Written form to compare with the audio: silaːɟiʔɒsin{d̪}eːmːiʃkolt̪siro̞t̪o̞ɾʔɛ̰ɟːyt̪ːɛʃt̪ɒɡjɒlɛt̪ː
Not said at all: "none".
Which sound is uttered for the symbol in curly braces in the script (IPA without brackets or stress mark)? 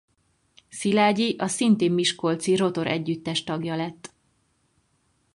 t̪